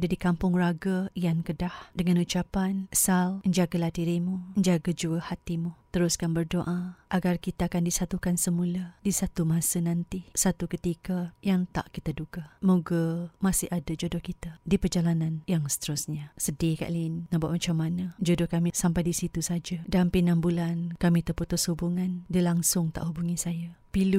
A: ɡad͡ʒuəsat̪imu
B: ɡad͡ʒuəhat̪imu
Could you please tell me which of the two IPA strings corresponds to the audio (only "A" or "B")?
B